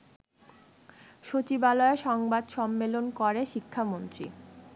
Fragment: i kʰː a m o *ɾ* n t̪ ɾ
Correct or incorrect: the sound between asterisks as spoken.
incorrect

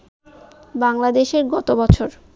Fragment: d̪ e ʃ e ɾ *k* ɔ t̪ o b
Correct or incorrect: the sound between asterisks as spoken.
incorrect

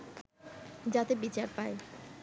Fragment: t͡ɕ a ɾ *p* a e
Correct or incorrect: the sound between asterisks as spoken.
correct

